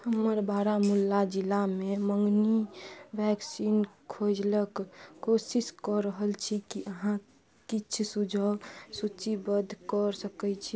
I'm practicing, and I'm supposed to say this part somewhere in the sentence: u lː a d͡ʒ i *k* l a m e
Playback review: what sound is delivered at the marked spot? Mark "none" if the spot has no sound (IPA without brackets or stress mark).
none